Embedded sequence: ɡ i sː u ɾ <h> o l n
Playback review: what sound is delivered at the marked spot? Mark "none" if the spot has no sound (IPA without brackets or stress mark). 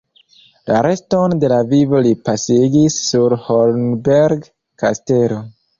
h